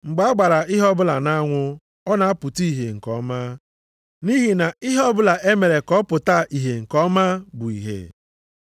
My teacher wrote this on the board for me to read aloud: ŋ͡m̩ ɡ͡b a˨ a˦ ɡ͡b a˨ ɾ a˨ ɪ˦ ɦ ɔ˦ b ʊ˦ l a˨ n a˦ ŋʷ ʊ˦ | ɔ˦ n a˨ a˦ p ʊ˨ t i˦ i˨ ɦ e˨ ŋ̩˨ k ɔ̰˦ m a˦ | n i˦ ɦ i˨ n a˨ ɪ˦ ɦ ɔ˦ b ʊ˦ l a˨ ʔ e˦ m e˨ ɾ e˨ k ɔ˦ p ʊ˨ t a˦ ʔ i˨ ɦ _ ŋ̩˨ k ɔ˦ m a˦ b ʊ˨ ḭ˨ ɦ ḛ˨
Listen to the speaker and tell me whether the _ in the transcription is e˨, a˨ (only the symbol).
e˨